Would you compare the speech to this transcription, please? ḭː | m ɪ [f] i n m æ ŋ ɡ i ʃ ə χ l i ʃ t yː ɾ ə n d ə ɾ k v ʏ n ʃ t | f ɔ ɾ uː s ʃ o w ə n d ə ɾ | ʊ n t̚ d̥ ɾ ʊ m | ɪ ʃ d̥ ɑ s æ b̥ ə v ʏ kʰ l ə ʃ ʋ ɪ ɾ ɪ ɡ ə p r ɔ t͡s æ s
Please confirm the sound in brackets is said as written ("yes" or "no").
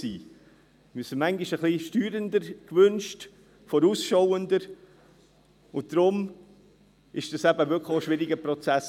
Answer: no